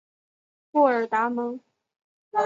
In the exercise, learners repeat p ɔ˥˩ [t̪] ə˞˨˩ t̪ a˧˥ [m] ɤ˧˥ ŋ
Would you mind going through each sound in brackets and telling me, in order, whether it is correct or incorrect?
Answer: incorrect: none, correct

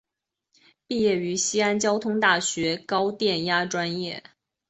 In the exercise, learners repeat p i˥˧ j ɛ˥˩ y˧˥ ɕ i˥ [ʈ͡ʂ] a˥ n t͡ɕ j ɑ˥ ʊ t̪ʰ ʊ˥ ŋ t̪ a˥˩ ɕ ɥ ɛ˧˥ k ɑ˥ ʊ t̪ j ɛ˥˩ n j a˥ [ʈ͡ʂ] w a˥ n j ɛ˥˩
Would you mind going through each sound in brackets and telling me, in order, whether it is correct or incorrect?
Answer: incorrect: none, correct

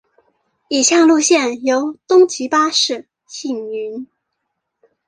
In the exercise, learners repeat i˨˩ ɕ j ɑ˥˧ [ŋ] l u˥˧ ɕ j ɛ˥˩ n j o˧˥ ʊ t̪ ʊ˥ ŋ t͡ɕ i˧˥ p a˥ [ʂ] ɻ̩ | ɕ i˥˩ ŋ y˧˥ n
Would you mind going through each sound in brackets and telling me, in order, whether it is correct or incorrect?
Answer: correct, correct

